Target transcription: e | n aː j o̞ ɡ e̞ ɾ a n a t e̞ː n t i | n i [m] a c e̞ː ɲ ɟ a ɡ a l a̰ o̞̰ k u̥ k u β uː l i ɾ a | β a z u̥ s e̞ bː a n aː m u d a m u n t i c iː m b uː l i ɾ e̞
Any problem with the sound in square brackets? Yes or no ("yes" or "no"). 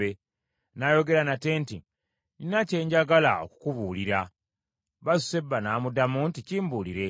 yes